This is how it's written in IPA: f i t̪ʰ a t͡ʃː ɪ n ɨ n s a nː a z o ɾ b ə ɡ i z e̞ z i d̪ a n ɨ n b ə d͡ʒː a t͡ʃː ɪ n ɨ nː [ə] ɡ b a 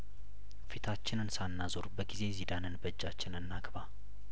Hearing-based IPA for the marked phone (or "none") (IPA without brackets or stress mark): a